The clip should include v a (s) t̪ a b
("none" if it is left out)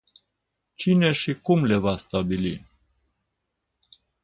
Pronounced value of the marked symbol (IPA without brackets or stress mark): s